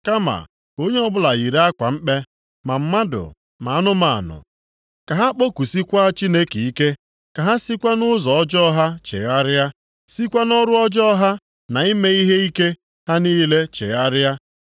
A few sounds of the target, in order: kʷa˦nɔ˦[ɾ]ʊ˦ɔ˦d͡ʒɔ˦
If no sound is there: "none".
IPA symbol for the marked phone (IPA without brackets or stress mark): ɾ